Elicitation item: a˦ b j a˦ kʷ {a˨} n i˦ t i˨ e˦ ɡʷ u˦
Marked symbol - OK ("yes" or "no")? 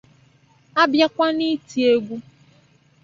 no